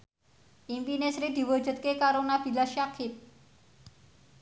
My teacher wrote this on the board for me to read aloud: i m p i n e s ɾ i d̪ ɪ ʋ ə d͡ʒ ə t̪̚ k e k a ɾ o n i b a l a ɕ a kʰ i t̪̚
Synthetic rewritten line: i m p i n e s ɾ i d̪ i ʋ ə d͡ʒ ə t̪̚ k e k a ɾ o n a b i l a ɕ a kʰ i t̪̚